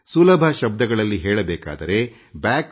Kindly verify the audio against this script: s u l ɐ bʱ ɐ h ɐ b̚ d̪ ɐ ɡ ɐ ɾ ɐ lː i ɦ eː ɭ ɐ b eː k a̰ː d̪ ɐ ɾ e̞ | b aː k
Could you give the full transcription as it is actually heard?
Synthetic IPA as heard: s u l ɐ bʱ ɐ ʃ ɐ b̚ d̪ ɐ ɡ ɐ ɭ ɐ lː i ɦ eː ɭ ɐ b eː k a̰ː d̪ ɐ ɾ e̞ | b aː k